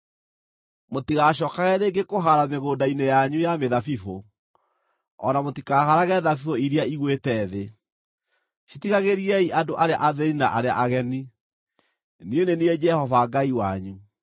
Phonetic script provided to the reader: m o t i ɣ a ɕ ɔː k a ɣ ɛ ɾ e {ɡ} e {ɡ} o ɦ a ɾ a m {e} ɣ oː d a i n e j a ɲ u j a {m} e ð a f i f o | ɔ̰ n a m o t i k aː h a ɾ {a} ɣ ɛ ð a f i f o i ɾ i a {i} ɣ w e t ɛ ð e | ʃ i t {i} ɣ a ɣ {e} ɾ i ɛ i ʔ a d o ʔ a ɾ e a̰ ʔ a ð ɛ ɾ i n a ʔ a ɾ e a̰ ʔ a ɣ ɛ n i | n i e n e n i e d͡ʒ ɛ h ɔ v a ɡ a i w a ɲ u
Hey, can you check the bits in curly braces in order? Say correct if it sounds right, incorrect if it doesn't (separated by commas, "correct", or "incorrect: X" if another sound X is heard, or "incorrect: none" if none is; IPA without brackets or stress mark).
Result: correct, incorrect: k, correct, correct, correct, correct, correct, correct